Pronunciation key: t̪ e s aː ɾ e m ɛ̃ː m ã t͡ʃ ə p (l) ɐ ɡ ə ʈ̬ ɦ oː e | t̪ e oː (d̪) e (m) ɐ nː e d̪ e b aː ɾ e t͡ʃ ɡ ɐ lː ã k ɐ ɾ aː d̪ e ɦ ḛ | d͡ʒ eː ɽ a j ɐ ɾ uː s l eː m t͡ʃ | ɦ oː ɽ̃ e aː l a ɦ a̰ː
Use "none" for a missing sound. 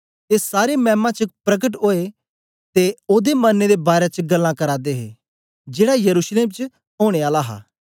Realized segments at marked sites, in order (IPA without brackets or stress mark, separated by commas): ɾ, d̪, m